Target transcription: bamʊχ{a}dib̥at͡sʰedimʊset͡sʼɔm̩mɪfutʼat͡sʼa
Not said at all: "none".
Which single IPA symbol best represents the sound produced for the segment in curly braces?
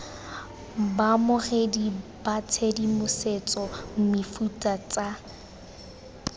e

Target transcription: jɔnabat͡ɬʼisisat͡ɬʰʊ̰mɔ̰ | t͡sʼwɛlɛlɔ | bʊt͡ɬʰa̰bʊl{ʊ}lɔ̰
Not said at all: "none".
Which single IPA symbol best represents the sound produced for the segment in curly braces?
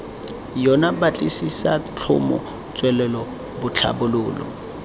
ʊː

